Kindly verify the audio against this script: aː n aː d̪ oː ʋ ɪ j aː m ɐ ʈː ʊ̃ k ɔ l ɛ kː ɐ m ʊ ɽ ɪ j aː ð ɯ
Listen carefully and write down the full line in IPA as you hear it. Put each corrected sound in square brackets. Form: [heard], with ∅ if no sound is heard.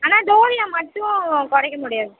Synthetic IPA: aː n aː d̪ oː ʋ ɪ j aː m ɐ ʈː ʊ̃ k ɔ [ɽ] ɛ kː ɐ m ʊ ɽ ɪ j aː ð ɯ

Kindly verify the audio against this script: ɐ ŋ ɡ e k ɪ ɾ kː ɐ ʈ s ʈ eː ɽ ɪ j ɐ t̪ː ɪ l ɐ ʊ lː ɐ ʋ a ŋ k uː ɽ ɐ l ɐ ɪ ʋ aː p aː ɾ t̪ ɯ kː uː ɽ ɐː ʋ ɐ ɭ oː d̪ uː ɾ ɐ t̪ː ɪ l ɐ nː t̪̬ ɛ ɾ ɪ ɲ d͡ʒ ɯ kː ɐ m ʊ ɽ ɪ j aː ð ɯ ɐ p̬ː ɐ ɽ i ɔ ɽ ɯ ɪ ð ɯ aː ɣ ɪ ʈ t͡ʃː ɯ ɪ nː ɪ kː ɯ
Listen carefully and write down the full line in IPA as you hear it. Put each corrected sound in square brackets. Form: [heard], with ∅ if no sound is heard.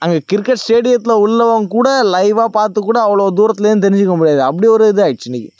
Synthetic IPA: ɐ ŋ ɡ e k ɪ ɾ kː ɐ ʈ s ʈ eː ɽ ɪ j ɐ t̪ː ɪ l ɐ ʊ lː ɐ ʋ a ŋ k uː ɽ ɐ l ɐ ɪ ʋ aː p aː ɾ t̪ ɯ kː uː ɽ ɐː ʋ ɐ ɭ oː d̪ uː ɾ ɐ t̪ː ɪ l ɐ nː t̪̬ ɛ ɾ ɪ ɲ d͡ʒ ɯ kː ɐ m ʊ ɽ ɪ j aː ð ɯ ɐ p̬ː ɐ ɽ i ɔ [ɾ] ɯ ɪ ð ɯ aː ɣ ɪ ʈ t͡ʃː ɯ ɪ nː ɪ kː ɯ

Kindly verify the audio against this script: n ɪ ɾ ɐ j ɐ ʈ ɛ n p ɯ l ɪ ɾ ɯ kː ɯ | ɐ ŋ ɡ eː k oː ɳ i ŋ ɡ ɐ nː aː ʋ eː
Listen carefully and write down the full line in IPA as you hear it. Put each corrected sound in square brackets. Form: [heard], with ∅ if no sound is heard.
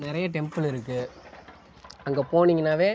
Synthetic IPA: n ɪ ɾ ɐ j ɐ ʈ ɛ [m] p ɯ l ɪ ɾ ɯ kː ɯ | ɐ ŋ ɡ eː [p] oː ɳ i ŋ ɡ ɐ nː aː ʋ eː

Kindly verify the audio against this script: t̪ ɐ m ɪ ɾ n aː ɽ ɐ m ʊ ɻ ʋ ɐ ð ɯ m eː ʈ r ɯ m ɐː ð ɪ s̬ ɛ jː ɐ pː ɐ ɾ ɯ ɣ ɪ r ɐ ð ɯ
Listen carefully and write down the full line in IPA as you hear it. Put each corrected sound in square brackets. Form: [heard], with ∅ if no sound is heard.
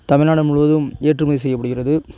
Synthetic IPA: t̪ ɐ m ɪ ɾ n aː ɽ ɐ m ʊ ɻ ʋ ɐ ð ɯ m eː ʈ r ɯ m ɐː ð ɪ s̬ ɛ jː ɐ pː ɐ [ɽ] ɯ ɣ ɪ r ɐ ð ɯ

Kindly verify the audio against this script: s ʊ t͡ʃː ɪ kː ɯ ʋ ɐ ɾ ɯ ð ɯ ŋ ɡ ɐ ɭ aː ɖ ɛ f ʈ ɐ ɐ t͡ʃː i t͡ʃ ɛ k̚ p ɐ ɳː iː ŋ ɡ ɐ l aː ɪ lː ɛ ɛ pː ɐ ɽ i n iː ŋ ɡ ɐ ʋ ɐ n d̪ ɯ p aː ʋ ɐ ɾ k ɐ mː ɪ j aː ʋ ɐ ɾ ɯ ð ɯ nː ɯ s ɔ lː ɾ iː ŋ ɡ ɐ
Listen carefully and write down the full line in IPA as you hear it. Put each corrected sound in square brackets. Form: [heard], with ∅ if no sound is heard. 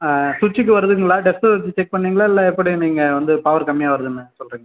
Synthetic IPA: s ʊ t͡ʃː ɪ kː ɯ ʋ ɐ ɾ ɯ ð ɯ ŋ ɡ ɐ ɭ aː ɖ ɛ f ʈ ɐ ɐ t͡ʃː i t͡ʃ ɛ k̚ p ɐ ɳː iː ŋ ɡ ɐ [ɭ] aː ɪ lː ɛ ɛ pː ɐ ɽ i n iː ŋ ɡ ɐ ʋ ɐ n d̪ ɯ p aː ʋ ɐ ɾ k ɐ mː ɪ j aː ʋ ɐ ɾ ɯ ð ɯ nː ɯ s ɔ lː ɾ iː ŋ ɡ ɐ

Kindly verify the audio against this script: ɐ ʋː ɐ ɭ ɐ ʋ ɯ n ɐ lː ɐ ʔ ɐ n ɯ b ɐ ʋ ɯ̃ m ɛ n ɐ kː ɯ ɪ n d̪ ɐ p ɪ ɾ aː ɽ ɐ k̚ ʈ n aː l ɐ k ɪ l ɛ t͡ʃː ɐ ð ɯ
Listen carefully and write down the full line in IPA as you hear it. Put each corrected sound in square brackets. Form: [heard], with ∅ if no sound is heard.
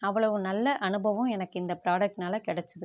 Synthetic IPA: ɐ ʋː ɐ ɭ ɐ ʋ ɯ n ɐ lː ɐ ʔ ɐ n ɯ b ɐ ʋ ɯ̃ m ɛ n ɐ kː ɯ ɪ n d̪ ɐ p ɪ ɾ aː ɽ ɐ k̚ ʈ n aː l ɐ k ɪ [ɽ] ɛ t͡ʃː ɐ ð ɯ

